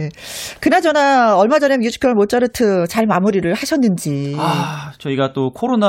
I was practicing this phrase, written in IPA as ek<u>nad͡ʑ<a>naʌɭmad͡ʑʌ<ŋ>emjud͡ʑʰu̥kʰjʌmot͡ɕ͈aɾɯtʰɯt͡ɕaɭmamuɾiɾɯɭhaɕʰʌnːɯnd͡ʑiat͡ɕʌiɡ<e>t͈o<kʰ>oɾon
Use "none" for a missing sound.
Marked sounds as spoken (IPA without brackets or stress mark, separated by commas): ɯ, ʌ, n, a, kʰ